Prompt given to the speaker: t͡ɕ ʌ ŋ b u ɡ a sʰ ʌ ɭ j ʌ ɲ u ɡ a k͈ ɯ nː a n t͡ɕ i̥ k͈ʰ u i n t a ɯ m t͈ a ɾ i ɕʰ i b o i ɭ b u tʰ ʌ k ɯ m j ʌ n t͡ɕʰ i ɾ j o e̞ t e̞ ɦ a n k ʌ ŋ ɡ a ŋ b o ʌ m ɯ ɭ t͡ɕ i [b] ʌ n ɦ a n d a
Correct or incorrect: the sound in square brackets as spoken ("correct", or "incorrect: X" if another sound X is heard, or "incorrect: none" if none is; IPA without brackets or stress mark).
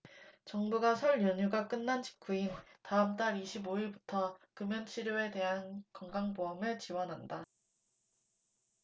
incorrect: w